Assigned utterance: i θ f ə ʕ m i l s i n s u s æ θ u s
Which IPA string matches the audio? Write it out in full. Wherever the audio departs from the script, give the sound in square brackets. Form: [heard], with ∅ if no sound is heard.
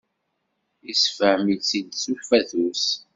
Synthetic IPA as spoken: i [s] f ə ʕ m i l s i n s u [f] æ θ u s